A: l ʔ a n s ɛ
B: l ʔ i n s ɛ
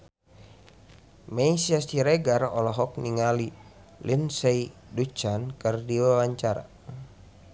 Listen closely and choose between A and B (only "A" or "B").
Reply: B